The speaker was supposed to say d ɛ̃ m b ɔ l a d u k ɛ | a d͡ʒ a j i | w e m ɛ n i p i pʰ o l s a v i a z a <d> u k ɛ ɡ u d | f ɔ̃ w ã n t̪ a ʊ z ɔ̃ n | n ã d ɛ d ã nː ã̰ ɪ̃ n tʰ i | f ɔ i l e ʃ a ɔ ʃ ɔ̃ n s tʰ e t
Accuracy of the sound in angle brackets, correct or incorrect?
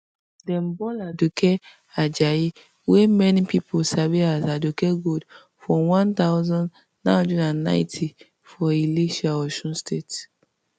correct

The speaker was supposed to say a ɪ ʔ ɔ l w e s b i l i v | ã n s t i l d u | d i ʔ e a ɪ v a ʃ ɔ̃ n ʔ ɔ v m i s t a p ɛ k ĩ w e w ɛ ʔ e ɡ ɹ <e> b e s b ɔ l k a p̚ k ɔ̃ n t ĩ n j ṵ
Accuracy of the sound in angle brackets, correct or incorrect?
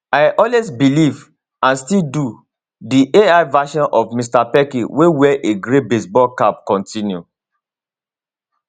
correct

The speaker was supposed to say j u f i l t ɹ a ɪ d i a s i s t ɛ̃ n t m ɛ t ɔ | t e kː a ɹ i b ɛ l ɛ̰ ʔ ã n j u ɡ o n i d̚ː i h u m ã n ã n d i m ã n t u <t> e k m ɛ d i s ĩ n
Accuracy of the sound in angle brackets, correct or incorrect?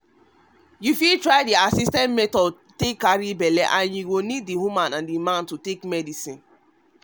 correct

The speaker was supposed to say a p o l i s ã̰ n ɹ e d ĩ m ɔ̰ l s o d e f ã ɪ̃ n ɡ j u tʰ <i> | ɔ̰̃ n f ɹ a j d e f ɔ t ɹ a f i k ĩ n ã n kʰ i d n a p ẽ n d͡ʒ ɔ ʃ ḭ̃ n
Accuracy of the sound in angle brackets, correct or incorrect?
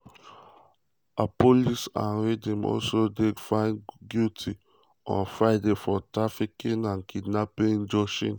correct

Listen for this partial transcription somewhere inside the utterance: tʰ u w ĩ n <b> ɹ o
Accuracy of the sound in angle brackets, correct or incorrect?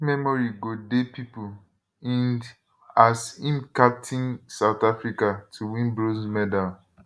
correct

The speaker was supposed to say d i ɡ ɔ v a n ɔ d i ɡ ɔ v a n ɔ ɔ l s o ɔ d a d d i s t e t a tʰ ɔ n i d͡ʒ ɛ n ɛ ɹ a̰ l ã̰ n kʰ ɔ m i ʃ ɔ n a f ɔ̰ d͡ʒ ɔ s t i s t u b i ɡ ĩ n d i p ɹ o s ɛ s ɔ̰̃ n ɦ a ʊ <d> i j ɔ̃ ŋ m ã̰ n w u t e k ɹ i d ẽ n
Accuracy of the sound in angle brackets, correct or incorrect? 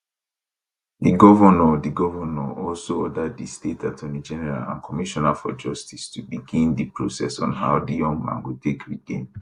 correct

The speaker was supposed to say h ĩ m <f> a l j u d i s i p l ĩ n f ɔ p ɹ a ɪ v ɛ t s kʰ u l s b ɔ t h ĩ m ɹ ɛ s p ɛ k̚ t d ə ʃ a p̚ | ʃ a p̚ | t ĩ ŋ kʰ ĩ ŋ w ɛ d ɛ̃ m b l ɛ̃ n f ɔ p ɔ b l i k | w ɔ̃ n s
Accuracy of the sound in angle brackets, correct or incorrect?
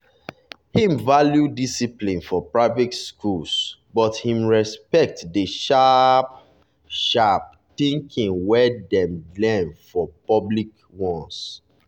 incorrect: v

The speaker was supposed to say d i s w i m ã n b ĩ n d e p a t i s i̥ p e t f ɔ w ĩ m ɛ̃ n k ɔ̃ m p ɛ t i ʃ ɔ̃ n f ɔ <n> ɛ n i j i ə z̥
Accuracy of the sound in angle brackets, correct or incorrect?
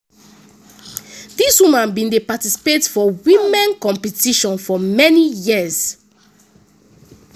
incorrect: m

